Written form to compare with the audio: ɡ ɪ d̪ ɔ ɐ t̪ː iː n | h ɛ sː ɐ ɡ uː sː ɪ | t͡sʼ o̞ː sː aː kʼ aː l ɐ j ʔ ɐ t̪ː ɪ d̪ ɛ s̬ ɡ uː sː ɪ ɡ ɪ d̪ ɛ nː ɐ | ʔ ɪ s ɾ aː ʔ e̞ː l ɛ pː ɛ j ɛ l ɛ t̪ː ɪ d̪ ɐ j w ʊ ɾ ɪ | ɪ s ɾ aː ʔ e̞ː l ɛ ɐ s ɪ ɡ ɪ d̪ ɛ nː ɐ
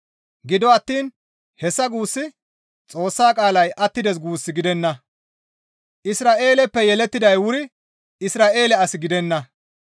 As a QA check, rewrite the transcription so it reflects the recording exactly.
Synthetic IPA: ɡ ɪ d̪ ɔ ɐ t̪ː iː n | h ɛ sː ɐ ɡ uː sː ɪ | t͡sʼ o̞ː sː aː kʼ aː l ɐ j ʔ ɐ t̪ː ɪ d̪ ɛ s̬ ɡ uː sː ɪ ɡ ɪ d̪ ɛ nː ɐ | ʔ ɪ s ɾ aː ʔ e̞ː l ɛ pː ɛ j ɛ l ɛ t̪ː ɪ d̪ ɐ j w ʊ ɾ ɪ | ɪ s ɾ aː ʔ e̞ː l ɛ ɐ s ɪ ɡ ɪ d̪ ɛ nː ɐ